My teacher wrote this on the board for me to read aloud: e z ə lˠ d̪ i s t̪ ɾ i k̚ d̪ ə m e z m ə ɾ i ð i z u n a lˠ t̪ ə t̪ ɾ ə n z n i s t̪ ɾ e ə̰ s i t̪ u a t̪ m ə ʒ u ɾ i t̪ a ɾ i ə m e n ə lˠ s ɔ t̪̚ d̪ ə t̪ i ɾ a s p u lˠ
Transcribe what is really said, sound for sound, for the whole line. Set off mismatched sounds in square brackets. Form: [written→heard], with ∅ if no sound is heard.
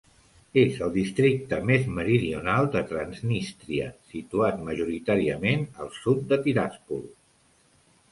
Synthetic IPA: e z ə lˠ d̪ i s t̪ ɾ i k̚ [d̪→t̪] ə m e z m ə ɾ i ð i [z→∅] u n a lˠ [t̪→d̪] ə t̪ ɾ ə n z n i s t̪ ɾ [e→i] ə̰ s i t̪ u a t̪ m ə ʒ u ɾ i t̪ a ɾ i ə m e n ə lˠ s [ɔ→u] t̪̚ d̪ ə t̪ i ɾ a s p u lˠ

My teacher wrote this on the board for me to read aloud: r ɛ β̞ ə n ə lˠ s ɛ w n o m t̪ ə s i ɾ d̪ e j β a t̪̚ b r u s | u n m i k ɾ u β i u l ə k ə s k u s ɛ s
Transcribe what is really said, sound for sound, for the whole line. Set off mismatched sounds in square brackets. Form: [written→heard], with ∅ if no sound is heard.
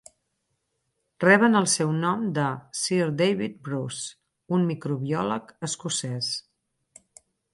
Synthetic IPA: r ɛ β̞ ə n ə lˠ s ɛ w n [o→ɔ] m [t̪→d̪] ə s i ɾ d̪ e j β [a→i] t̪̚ b [r→ɾ] u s | u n m i k ɾ u β i [u→ɔ] l ə k ə s k u s ɛ s

